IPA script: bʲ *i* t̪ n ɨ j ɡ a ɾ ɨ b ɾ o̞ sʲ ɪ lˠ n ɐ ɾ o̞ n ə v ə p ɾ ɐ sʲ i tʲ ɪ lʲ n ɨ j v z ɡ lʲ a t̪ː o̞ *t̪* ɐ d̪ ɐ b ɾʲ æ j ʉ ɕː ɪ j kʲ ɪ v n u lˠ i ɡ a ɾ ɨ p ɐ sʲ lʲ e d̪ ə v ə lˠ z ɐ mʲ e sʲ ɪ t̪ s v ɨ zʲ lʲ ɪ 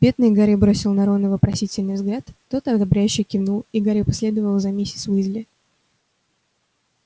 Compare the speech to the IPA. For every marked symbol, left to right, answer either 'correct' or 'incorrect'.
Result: incorrect, correct

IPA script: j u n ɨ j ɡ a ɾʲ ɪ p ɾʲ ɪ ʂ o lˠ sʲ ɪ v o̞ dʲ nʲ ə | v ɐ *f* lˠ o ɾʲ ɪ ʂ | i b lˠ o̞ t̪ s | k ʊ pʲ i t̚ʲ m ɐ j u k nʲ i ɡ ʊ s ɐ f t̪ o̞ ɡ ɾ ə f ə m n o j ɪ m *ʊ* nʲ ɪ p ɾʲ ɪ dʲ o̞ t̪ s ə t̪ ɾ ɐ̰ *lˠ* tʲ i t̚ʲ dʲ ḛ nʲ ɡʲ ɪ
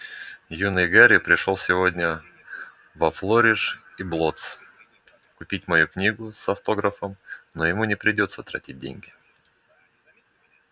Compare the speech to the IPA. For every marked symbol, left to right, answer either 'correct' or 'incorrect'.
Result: correct, incorrect, incorrect

